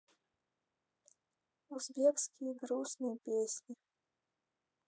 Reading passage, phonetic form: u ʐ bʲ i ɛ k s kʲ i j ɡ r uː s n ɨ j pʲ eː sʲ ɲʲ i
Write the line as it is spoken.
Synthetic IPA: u z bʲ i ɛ k s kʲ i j ɡ ɾ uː s n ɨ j pʲ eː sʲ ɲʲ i